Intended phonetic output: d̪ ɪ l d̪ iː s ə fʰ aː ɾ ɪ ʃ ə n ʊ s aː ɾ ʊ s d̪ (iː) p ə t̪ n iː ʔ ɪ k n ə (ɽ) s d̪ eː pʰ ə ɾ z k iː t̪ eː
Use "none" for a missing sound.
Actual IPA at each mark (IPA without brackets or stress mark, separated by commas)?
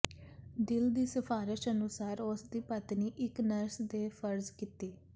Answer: iː, ɾ